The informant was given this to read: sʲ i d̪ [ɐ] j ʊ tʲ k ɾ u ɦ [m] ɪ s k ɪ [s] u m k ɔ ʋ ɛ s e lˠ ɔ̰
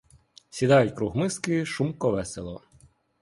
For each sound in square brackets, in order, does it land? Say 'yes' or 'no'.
no, yes, no

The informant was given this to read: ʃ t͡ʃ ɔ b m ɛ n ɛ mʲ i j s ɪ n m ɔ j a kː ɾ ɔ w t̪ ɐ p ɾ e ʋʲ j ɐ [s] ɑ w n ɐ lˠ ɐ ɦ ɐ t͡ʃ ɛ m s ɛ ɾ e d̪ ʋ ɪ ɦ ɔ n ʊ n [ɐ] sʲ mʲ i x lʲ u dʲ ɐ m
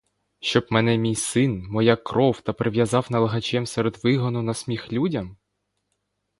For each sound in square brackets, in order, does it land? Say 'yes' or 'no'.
no, yes

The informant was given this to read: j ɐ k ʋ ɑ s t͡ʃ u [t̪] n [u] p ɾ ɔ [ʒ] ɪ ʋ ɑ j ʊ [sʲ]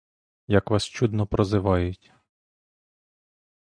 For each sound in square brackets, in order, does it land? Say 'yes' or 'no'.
no, no, no, no

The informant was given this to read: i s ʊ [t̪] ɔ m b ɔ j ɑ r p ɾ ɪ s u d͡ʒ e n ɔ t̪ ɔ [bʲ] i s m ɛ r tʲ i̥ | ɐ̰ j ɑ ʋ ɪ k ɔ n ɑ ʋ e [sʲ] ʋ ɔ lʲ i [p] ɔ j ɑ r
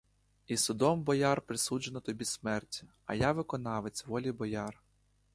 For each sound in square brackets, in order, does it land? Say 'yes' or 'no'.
no, yes, no, no

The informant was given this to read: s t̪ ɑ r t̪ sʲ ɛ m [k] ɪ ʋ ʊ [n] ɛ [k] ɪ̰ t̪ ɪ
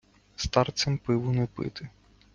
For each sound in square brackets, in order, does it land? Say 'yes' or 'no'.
no, yes, no

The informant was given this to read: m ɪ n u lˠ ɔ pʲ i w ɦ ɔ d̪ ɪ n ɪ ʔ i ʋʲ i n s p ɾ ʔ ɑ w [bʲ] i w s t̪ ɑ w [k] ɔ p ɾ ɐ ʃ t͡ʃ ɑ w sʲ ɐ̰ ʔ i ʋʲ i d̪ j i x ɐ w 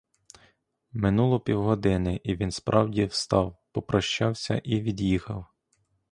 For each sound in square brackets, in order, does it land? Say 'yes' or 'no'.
no, no

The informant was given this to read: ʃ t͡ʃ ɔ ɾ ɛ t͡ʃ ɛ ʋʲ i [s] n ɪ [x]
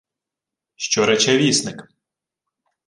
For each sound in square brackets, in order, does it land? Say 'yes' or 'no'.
yes, no

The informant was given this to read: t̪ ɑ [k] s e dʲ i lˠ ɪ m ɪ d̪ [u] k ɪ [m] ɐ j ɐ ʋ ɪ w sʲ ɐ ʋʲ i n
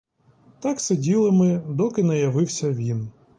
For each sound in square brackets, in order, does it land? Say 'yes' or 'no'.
yes, no, no

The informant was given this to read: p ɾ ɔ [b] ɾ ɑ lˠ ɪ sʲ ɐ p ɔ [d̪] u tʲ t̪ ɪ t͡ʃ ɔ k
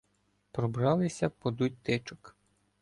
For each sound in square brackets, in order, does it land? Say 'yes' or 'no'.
yes, yes

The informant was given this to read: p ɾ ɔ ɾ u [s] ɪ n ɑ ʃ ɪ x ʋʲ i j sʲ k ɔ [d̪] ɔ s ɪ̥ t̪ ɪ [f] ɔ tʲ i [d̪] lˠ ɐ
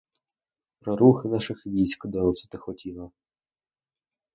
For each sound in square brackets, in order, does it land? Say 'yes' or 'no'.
no, yes, no, no

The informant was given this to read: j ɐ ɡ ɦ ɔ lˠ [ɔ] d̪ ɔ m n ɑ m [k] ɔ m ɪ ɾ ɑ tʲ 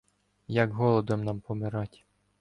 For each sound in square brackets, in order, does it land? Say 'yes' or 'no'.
yes, no

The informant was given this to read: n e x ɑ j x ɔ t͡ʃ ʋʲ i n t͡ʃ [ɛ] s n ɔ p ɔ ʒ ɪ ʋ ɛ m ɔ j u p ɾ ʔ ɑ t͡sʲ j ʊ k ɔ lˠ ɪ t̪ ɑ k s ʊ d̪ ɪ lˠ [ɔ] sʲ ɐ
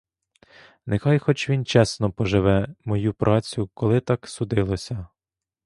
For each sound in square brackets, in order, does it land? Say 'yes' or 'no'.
yes, yes

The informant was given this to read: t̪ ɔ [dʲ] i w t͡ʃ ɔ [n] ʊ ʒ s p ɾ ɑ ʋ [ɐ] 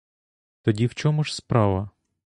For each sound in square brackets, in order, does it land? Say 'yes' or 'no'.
yes, no, yes

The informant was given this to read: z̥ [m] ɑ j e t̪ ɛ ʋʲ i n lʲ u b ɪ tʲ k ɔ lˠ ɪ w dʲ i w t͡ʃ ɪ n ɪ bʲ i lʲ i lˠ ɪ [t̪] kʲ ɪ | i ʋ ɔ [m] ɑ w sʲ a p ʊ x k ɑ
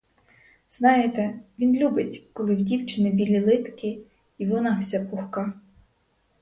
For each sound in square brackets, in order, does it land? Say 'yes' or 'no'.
no, yes, no

